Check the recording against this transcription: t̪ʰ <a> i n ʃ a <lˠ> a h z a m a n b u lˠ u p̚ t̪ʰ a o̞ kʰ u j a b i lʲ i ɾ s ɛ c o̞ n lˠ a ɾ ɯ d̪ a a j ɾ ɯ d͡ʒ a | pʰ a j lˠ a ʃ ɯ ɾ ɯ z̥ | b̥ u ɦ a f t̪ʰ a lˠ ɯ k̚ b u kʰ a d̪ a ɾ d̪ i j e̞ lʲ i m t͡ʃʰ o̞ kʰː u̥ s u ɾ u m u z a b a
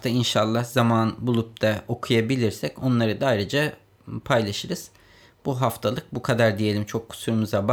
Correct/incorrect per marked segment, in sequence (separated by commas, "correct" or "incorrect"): correct, incorrect